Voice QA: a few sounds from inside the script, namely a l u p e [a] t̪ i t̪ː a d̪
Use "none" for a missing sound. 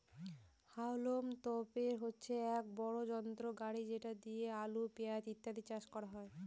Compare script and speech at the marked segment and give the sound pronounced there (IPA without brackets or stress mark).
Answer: a